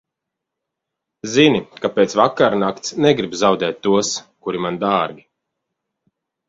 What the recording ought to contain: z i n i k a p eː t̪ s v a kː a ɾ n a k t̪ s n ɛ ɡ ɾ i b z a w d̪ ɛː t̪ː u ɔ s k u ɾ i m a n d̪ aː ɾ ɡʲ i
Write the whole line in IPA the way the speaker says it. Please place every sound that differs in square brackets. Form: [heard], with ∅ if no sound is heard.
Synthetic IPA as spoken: z i n i k a p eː t̪ s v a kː a ɾ n a k t̪ s n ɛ ɡ ɾ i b z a w d̪ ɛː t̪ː u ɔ s k u ɾ i m a n d̪ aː ɾ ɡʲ i